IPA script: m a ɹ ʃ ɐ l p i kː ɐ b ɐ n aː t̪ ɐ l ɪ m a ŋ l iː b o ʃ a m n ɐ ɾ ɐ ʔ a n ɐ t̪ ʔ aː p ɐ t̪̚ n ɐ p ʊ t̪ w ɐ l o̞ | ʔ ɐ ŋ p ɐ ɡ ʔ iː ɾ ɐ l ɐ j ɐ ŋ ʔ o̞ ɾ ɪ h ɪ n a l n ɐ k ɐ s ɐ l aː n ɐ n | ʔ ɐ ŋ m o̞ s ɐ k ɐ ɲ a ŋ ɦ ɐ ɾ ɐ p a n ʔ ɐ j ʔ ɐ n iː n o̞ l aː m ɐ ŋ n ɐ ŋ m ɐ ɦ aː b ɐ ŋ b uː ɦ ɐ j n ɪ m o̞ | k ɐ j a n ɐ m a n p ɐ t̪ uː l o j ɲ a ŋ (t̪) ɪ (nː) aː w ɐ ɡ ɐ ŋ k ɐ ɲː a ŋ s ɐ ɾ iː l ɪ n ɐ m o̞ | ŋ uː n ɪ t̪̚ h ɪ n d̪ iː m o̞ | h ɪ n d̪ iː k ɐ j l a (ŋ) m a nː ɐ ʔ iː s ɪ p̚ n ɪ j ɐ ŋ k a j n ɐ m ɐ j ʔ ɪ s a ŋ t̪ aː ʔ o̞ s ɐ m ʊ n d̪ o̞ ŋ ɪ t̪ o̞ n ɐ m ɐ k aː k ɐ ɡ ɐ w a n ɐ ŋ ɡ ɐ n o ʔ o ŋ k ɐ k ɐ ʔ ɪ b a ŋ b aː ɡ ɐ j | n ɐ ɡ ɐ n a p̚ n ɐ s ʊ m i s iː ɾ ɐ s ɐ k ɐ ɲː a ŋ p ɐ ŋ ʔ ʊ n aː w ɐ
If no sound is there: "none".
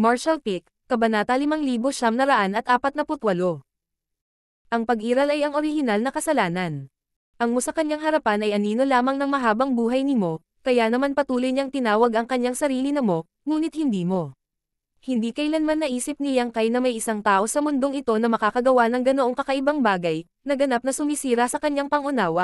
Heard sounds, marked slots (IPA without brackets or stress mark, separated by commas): t̪, n, n